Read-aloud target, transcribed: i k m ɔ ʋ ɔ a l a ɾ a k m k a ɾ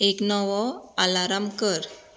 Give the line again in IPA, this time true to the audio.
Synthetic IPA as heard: e k n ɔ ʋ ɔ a l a ɾ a m k ə ɾ